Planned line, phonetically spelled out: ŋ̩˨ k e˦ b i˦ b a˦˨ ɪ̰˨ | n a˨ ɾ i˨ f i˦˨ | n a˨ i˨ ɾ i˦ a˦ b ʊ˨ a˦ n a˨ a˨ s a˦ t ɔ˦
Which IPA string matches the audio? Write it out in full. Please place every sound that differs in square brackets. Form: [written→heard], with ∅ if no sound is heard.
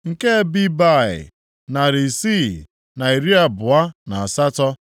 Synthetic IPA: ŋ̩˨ k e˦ b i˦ b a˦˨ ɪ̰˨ | n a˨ ɾ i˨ [f→s] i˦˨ | n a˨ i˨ ɾ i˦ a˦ b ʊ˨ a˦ n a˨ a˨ s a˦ t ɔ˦